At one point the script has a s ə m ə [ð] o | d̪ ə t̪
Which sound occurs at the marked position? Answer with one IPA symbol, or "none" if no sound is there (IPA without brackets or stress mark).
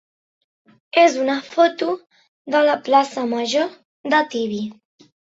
ʒ